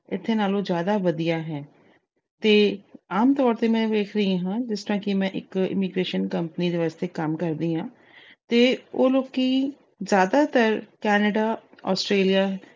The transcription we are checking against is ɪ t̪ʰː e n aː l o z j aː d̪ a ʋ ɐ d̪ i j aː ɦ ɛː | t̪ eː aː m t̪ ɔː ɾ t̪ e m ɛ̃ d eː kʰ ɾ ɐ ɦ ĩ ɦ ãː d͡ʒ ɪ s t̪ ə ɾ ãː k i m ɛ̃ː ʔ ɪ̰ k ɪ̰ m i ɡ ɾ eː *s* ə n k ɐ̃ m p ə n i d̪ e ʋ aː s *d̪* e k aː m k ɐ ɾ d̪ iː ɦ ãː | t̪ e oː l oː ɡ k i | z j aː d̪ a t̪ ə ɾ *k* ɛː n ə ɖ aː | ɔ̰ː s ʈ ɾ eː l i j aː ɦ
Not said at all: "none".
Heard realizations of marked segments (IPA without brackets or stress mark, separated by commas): ʃ, t̪, k